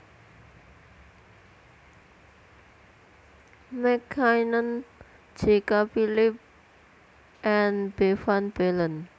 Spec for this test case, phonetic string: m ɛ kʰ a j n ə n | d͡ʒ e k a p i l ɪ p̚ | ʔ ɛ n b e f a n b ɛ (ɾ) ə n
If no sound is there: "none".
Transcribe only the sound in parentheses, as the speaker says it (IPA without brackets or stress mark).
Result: l